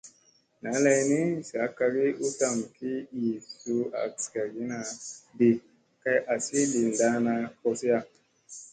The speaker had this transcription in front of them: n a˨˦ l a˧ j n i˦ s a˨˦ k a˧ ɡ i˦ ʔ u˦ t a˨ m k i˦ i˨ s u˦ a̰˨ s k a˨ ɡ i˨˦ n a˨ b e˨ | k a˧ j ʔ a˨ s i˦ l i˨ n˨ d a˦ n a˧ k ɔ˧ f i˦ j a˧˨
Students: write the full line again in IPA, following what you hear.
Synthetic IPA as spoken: n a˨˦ l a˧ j n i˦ s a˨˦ k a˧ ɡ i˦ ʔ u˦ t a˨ m k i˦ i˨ s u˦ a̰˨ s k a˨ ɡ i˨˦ n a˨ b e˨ | k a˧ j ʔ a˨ s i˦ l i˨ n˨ d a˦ n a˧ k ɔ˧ s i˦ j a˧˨